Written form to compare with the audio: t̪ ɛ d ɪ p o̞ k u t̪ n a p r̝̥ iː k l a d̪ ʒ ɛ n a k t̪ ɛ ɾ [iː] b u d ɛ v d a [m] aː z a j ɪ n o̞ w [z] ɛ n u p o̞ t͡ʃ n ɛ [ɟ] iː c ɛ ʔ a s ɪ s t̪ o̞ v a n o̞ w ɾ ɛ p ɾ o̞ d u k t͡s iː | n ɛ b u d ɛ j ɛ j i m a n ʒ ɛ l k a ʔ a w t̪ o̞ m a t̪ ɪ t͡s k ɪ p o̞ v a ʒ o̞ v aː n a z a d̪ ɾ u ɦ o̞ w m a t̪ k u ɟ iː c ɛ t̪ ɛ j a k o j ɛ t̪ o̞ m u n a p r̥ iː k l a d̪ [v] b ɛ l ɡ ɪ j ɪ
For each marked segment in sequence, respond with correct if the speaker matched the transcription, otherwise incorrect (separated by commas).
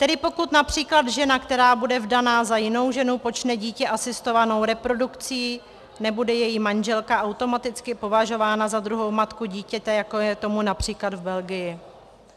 incorrect, incorrect, incorrect, correct, correct